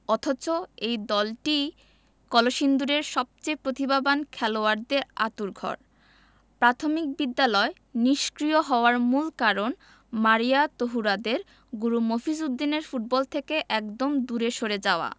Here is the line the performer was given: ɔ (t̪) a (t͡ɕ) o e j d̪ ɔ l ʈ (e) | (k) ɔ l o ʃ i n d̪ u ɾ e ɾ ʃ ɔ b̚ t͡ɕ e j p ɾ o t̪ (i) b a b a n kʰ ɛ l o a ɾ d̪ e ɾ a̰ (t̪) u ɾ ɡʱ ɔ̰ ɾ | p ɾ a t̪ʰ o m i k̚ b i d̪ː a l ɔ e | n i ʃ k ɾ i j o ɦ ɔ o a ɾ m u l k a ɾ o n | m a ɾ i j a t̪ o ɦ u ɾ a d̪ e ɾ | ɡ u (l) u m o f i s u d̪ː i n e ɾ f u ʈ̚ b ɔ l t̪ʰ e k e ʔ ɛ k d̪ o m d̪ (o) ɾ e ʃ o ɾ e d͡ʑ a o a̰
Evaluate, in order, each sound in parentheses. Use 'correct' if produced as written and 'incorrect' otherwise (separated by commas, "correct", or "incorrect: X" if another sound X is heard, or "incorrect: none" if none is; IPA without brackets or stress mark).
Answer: incorrect: t̪ʰ, correct, incorrect: i, correct, correct, correct, incorrect: ɾ, incorrect: u